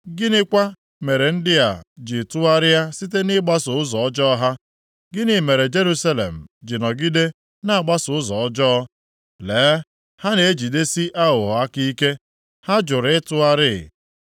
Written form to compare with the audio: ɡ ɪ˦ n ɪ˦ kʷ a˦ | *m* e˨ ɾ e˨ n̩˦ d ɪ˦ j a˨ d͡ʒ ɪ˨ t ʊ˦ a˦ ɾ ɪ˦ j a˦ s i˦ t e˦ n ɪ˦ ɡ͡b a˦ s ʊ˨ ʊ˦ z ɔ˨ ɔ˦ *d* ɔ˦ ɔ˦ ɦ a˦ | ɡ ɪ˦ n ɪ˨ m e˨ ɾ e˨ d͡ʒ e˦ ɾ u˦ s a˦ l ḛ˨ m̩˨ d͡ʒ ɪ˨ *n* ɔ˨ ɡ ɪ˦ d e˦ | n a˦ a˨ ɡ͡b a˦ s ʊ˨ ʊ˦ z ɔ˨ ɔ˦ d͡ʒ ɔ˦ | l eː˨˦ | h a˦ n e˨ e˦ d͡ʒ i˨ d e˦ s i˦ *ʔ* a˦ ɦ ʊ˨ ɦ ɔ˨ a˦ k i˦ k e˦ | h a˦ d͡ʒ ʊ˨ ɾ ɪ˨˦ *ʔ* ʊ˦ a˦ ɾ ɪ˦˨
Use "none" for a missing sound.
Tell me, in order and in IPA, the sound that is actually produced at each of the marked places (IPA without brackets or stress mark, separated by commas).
m, d͡ʒ, n, ʔ, t